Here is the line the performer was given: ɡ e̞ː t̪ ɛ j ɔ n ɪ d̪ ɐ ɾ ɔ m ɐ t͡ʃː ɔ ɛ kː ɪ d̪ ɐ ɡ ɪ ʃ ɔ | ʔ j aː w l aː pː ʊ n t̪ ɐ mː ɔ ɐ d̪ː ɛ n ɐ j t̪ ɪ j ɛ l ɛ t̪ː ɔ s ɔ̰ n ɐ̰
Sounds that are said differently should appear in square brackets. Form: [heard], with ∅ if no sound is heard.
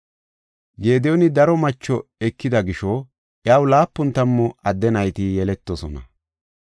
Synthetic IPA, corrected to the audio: ɡ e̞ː [d̪] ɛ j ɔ n ɪ d̪ ɐ ɾ ɔ m ɐ t͡ʃː ɔ ɛ kː ɪ d̪ ɐ ɡ ɪ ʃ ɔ | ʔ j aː w l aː pː ʊ n t̪ ɐ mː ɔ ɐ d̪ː ɛ n ɐ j t̪ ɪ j ɛ l ɛ t̪ː ɔ s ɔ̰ n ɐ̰